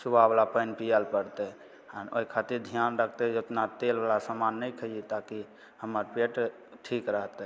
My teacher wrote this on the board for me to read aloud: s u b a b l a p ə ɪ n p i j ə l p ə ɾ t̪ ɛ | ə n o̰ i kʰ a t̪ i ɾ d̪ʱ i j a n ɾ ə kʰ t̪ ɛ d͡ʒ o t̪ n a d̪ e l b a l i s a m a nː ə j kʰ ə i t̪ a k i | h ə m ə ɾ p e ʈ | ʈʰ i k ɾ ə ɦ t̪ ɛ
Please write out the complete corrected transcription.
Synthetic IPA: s u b a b l a p ə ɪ n p i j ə l p ə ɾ t̪ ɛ | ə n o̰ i kʰ a t̪ i ɾ d̪ʱ i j a n ɾ ə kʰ t̪ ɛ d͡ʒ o t̪ n a t̪ e l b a l a s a m a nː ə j kʰ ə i t̪ a k i | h ə m ə ɾ p e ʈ | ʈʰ i k ɾ ə ɦ t̪ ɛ

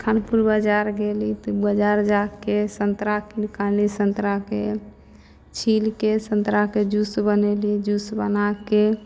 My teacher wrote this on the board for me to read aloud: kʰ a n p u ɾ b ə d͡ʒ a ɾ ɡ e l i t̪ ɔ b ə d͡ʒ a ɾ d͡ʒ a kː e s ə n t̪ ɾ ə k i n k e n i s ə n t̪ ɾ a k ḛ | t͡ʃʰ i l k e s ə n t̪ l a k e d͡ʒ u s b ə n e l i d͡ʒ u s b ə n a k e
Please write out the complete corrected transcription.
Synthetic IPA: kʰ a n p u ɾ b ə d͡ʒ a ɾ ɡ e l i t̪ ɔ b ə d͡ʒ a ɾ d͡ʒ a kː e s ə n t̪ ɾ a k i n k a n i s ə n t̪ ɾ a k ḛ | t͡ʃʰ i l k e s ə n t̪ ɾ a k e d͡ʒ u s b ə n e l i d͡ʒ u s b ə n a k e

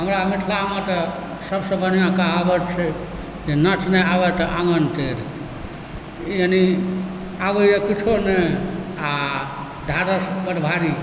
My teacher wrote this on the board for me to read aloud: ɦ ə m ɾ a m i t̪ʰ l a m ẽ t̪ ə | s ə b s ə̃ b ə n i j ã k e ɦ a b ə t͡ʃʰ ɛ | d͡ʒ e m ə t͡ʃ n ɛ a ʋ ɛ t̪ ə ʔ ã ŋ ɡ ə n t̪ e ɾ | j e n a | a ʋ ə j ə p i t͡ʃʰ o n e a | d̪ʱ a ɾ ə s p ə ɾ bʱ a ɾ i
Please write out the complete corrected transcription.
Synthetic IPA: ɦ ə m ɾ a m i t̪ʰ l a m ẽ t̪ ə | s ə b s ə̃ b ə n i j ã k a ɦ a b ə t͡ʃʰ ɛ | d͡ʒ e n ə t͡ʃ n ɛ a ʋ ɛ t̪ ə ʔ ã ŋ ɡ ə n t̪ e ɾ | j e n i | a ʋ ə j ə k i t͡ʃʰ o n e a | d̪ʱ a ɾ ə s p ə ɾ bʱ a ɾ i

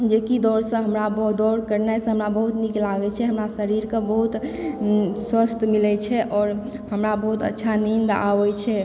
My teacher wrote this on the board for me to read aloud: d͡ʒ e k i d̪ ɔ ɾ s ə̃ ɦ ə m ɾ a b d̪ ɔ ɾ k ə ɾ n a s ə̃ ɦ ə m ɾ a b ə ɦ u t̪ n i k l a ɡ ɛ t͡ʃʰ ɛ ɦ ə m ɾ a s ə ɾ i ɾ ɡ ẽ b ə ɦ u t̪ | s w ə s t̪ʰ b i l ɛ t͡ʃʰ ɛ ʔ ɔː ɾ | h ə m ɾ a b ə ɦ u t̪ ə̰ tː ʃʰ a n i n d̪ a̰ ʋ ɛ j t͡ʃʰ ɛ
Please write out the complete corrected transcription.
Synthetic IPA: d͡ʒ e k i d̪ ɔ ɾ s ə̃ ɦ ə m ɾ a b d̪ ɔ ɾ k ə ɾ n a s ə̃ ɦ ə m ɾ a b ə ɦ u t̪ n i k l a ɡ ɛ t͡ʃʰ ɛ ɦ ə m ɾ a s ə ɾ i ɾ k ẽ b ə ɦ u t̪ | s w ə s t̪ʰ m i l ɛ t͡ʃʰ ɛ ʔ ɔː ɾ | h ə m ɾ a b ə ɦ u t̪ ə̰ tː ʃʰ a n i n d̪ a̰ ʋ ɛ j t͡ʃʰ ɛ

